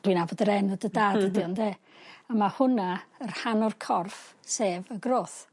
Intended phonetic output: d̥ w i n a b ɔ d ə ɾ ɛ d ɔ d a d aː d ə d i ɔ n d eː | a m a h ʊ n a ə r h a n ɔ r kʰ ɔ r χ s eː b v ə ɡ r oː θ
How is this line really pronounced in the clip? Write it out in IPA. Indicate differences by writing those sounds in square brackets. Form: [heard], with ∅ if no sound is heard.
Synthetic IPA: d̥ w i n a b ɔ d ə ɾ ɛ [n] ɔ d [ə] d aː d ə d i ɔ n d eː | a m a h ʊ n a ə r h a n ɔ r kʰ ɔ r [f] s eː [∅] v ə ɡ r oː θ